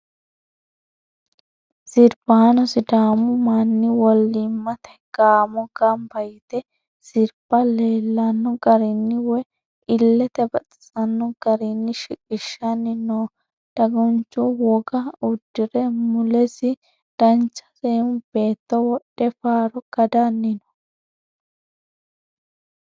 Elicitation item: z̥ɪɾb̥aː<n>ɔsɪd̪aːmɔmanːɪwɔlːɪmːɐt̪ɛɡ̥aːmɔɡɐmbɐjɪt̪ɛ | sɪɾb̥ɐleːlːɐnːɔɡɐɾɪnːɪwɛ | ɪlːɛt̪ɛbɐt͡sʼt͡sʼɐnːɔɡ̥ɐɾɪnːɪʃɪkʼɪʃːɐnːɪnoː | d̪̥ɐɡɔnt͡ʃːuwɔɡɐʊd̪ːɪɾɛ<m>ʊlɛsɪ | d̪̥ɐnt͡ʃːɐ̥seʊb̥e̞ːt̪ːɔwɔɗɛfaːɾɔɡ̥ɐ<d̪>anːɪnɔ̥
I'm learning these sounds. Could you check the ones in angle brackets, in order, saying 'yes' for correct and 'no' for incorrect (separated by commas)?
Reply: yes, yes, yes